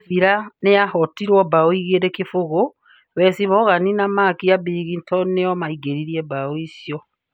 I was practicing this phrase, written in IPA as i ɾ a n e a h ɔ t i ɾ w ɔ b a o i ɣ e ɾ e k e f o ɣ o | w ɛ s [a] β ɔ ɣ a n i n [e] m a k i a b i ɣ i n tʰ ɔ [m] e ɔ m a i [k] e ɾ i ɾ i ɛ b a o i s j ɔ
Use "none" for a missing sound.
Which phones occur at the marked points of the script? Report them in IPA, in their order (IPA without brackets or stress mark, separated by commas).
i, a, n, ɡ